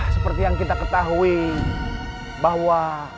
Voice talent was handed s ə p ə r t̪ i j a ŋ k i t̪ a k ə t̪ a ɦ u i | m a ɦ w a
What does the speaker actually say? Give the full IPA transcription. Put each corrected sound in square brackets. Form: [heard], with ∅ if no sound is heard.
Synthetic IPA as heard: s ə p ə r t̪ i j a ŋ k i t̪ a k ə t̪ a ɦ u i | [b] a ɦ w a

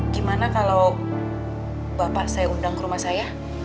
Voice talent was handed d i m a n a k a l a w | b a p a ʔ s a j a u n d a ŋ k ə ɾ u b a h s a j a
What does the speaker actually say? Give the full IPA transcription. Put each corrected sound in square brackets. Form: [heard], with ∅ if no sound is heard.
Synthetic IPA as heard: [ɡ] i m a n a k a l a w | b a p a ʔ s a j a u n d a ŋ k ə ɾ u [m] a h s a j a

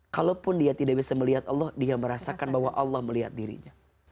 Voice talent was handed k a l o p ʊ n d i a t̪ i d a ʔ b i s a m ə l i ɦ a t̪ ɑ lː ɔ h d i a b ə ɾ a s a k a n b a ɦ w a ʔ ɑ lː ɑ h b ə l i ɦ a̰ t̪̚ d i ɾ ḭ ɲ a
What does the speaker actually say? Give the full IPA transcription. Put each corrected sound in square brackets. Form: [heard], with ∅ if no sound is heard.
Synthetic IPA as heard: k a l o p ʊ n d i a t̪ i d a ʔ b i s a m ə l i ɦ a t̪ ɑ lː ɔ h d i a [m] ə ɾ a s a k a n b a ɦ w a ʔ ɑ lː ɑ h [m] ə l i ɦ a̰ t̪̚ d i ɾ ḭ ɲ a

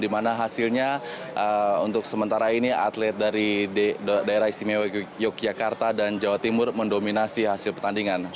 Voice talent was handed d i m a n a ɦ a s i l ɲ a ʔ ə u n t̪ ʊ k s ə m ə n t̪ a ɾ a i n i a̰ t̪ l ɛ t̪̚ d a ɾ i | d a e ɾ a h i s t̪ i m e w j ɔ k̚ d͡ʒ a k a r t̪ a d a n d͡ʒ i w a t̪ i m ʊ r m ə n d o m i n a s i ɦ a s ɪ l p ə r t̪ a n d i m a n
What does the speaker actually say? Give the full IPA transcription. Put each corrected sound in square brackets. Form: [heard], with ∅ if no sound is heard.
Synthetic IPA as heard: d i m a n a ɦ a s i l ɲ a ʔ ə u n t̪ ʊ k s ə m ə n t̪ a ɾ a i n i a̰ t̪ l ɛ t̪̚ d a ɾ i | d a e ɾ a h i s t̪ i m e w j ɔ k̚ d͡ʒ a k a r t̪ a d a n d͡ʒ [a] w a t̪ i m ʊ r m ə n d o m i n a s i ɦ a s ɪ l p ə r t̪ a n d i [ŋ] a n

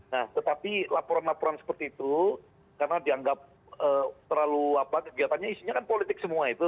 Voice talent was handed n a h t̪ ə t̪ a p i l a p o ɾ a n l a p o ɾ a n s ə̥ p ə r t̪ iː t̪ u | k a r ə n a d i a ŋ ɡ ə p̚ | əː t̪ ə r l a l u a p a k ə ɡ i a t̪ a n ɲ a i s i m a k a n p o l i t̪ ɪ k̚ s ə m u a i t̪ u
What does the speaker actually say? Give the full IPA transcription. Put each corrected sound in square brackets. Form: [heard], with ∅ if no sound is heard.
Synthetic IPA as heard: n a h t̪ ə t̪ a p i l a p o ɾ a n l a p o ɾ a n s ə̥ p ə r t̪ iː t̪ u | k a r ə n a d i a ŋ ɡ [a] p̚ | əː t̪ ə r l a l u a p a k ə ɡ i a t̪ a n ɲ a i s i [ɲ] a k a n p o l i t̪ ɪ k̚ s ə m u a i t̪ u

